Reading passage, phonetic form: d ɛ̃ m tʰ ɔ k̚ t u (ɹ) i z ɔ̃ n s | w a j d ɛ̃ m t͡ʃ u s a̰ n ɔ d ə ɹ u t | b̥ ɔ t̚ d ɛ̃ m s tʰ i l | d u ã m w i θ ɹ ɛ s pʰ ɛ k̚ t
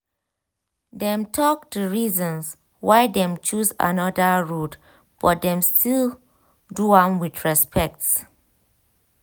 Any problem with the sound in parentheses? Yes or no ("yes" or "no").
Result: no